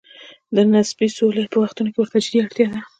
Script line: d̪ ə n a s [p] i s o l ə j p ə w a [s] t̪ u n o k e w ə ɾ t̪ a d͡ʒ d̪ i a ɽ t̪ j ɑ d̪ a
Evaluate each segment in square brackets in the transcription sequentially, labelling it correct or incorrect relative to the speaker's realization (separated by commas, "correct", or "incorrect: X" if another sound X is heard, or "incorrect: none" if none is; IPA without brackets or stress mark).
incorrect: b, incorrect: x